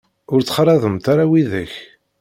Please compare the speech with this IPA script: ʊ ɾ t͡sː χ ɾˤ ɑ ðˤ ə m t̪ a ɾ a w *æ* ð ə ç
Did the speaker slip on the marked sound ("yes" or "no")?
yes